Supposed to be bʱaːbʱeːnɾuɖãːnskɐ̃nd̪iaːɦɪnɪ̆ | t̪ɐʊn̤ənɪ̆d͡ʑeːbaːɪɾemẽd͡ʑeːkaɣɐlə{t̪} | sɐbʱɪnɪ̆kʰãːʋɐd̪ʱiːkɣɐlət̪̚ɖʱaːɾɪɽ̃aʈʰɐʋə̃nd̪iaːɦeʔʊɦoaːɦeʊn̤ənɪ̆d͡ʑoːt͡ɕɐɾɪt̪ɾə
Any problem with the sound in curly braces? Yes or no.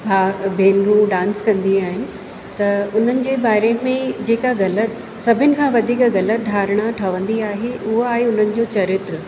no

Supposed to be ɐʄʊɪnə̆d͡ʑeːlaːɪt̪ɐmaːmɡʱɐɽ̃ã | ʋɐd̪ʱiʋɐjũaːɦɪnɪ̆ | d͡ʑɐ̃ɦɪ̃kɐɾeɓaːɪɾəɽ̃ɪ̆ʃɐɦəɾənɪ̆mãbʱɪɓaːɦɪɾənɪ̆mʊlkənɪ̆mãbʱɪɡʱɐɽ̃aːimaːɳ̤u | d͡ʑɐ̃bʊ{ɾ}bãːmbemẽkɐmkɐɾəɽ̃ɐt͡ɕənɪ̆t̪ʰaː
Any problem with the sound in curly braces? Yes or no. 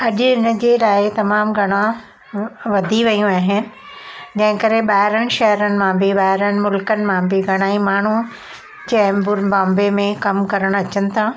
no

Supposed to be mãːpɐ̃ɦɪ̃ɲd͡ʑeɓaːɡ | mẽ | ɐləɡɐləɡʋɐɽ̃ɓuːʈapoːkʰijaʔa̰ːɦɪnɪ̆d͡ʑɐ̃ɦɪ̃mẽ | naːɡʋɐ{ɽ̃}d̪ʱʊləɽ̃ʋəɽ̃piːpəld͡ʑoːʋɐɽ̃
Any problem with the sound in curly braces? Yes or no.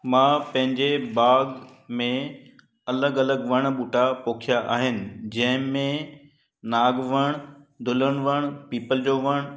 no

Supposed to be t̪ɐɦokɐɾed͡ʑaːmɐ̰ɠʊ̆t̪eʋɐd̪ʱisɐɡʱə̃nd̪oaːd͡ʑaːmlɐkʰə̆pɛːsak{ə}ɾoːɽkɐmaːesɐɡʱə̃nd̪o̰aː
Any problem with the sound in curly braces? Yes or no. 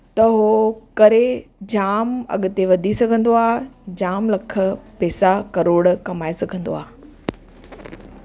yes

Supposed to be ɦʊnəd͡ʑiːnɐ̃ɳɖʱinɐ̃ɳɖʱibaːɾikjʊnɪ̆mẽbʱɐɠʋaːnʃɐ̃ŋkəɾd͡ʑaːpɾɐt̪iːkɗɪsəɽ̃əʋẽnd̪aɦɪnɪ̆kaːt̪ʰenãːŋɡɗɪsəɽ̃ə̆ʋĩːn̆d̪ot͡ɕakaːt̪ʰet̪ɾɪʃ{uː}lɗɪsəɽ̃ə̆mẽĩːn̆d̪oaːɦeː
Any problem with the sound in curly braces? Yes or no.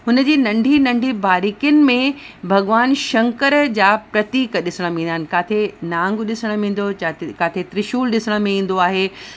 no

